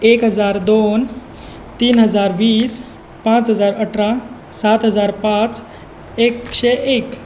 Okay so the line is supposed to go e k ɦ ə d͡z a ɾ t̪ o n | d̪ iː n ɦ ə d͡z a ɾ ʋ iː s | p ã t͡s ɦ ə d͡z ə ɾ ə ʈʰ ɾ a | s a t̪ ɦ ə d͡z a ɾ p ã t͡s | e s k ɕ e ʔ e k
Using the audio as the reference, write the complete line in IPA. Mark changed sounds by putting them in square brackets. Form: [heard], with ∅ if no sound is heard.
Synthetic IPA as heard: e k ɦ ə d͡z a ɾ [d̪] o n | [t̪] iː n ɦ ə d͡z a ɾ ʋ iː s | p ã t͡s ɦ ə d͡z [a] ɾ ə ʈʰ ɾ a | s a t̪ ɦ ə d͡z a ɾ p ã t͡s | e [∅] k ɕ e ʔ e k